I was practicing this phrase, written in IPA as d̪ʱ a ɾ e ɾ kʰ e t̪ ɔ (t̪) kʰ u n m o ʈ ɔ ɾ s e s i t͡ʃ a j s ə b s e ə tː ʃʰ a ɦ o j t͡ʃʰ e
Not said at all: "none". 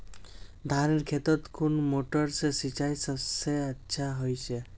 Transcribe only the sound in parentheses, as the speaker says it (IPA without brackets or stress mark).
t̪